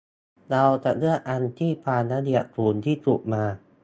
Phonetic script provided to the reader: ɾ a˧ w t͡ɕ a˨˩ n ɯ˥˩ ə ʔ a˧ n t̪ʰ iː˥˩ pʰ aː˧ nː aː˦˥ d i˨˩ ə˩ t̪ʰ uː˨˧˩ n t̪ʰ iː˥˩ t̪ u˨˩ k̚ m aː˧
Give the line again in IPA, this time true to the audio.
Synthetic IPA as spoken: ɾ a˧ w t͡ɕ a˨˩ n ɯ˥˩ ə ʔ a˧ n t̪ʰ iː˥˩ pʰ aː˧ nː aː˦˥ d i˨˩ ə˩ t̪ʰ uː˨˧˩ n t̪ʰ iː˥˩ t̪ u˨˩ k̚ m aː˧